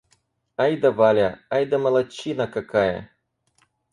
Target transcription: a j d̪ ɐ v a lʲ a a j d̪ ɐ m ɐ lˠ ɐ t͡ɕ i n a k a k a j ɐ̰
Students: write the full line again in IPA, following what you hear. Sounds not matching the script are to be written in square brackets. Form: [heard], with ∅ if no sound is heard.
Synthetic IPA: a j d̪ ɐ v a lʲ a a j d̪ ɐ m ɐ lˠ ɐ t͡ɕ i n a k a k a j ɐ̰

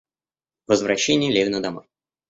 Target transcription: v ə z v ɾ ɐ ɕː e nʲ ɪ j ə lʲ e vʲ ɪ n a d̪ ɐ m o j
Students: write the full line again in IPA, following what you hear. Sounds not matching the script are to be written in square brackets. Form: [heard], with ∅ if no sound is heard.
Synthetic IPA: v ə z v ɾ ɐ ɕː e nʲ ɪ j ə lʲ e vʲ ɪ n [ə] d̪ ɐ m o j

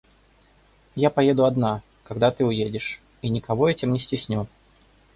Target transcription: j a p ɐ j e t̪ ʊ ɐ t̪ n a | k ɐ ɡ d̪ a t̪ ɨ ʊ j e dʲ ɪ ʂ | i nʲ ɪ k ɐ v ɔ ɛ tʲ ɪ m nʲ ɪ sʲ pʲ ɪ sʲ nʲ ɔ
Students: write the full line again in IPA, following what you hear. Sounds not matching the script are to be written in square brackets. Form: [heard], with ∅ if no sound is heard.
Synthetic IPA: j a p ɐ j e [d̪] ʊ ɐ [d̪] n a | k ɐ ɡ d̪ a t̪ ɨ ʊ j e dʲ ɪ ʂ | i nʲ ɪ k ɐ v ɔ ɛ tʲ ɪ m nʲ ɪ sʲ [tʲ] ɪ sʲ nʲ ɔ

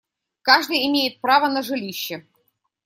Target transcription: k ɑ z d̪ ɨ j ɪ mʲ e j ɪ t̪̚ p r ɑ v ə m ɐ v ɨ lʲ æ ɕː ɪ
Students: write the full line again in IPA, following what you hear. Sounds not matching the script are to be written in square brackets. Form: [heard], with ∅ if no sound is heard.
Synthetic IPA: k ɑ [ʐ] d̪ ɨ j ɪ mʲ e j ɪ t̪̚ p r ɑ v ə [n] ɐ [ʐ] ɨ lʲ [i] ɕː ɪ

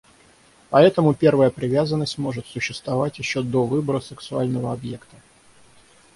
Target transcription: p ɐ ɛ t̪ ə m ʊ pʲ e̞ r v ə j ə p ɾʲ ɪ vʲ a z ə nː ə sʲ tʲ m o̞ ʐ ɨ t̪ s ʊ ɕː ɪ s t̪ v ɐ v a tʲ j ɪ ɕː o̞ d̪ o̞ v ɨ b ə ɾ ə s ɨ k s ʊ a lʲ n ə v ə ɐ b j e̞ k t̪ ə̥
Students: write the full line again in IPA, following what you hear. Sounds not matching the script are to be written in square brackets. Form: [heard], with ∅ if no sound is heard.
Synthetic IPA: p ɐ ɛ t̪ ə m ʊ pʲ e̞ r v ə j ə p ɾʲ ɪ vʲ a z ə nː ə sʲ tʲ m o̞ ʐ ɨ t̪ s ʊ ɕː ɪ s t̪ v ɐ v a tʲ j ɪ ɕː o̞ d̪ o̞ v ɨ b ə ɾ ə s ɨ k s ʊ a lʲ n ə v ə ɐ b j e̞ k t̪ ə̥

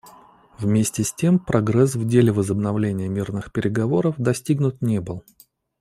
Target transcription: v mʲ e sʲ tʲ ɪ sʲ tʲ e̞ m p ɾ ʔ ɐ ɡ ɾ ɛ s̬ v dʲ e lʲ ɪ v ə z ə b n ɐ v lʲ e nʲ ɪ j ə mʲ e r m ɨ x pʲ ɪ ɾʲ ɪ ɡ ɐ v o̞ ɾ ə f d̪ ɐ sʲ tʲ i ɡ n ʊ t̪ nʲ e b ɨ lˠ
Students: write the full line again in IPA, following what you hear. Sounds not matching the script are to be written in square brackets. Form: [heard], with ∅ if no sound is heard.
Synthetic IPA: v mʲ e sʲ tʲ ɪ sʲ tʲ e̞ m p ɾ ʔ ɐ ɡ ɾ ɛ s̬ v dʲ e lʲ ɪ v ə z ə b n ɐ v lʲ e nʲ ɪ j ə mʲ [i] r [n] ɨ x pʲ ɪ ɾʲ ɪ ɡ ɐ v o̞ ɾ ə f d̪ ɐ sʲ tʲ i ɡ n ʊ t̪ nʲ e b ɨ lˠ

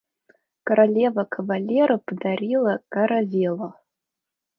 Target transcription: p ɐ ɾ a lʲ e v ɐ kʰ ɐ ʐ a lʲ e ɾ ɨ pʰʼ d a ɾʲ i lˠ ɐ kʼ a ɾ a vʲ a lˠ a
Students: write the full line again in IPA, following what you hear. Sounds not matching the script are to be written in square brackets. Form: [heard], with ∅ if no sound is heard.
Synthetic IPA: [k] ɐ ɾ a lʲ e v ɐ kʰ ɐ [v] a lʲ e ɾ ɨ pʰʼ d a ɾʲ i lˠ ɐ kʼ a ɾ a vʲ [e] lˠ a

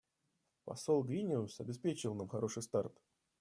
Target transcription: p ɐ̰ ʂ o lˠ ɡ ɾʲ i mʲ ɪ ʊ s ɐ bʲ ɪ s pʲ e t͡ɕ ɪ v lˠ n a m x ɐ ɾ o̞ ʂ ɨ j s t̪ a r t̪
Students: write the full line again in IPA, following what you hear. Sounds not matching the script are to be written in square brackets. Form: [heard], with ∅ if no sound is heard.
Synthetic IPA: p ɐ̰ [s] o lˠ ɡ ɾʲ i [nʲ] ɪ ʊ s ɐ bʲ ɪ s pʲ e t͡ɕ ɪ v lˠ n a m x ɐ ɾ o̞ ʂ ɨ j s t̪ a r t̪

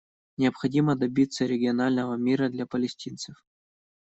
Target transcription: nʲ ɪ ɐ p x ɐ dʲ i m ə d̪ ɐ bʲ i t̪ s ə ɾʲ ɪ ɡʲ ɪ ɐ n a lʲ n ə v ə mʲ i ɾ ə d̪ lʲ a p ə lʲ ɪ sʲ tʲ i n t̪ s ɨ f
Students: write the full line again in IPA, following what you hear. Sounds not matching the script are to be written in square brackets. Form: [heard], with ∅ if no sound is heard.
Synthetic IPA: nʲ ɪ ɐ p x ɐ dʲ i m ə d̪ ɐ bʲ i t̪ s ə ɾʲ ɪ ɡʲ ɪ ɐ n a lʲ n ə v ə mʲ i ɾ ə d̪ lʲ a p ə lʲ ɪ sʲ tʲ i n t̪ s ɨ f

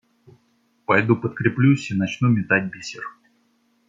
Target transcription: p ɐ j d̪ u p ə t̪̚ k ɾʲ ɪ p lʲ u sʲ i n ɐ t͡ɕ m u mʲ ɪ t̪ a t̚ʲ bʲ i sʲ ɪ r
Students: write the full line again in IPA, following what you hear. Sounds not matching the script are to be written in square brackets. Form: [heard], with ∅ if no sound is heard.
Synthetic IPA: p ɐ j d̪ u p ə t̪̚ k ɾʲ ɪ p lʲ u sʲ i n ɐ t͡ɕ [n] u mʲ ɪ t̪ a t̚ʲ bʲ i sʲ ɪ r

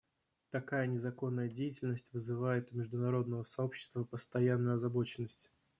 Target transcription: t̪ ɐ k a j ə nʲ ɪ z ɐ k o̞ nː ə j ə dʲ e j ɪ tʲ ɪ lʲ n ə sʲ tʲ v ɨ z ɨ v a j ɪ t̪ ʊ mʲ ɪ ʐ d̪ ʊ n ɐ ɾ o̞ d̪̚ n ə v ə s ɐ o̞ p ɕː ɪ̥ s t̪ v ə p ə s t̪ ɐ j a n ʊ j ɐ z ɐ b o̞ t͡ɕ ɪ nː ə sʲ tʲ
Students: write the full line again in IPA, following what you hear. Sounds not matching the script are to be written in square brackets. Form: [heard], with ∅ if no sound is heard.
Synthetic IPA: t̪ ɐ k a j ə nʲ ɪ z ɐ k o̞ nː ə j ə dʲ e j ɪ tʲ ɪ lʲ n ə sʲ tʲ v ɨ z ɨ v a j ɪ t̪ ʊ mʲ ɪ ʐ d̪ ʊ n ɐ ɾ o̞ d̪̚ n ə v ə s ɐ o̞ p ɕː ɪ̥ s t̪ v ə p ə s t̪ ɐ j a [nː] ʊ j ɐ z ɐ b o̞ t͡ɕ ɪ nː ə sʲ tʲ

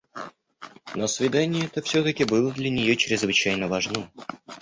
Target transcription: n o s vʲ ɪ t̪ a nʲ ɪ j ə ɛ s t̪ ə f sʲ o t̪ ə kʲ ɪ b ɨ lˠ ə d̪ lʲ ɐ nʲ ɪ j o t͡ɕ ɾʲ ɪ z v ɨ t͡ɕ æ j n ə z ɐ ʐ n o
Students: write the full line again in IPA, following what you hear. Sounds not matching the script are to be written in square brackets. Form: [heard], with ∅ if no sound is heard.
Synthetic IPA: n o s vʲ ɪ [d̪] a nʲ ɪ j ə ɛ [∅] t̪ ə f sʲ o t̪ ə kʲ ɪ b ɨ lˠ ə d̪ lʲ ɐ nʲ ɪ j o t͡ɕ ɾʲ ɪ z v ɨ t͡ɕ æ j n ə [v] ɐ ʐ n o

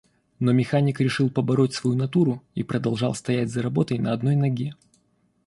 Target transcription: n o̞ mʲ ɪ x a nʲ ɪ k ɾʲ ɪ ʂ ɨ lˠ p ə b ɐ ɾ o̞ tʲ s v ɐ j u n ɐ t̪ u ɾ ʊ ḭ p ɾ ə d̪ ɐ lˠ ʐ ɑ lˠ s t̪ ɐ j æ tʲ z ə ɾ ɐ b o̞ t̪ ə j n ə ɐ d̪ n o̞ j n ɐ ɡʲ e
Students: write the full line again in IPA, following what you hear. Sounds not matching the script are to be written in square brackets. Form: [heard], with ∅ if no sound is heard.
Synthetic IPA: n o̞ mʲ ɪ x a nʲ ɪ k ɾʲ ɪ ʂ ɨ lˠ p ə b ɐ ɾ o̞ tʲ s v ɐ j u n ɐ t̪ u ɾ ʊ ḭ p ɾ ə d̪ ɐ lˠ ʐ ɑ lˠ s t̪ ɐ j æ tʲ z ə ɾ ɐ b o̞ t̪ ə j n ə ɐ d̪ n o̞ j n ɐ ɡʲ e

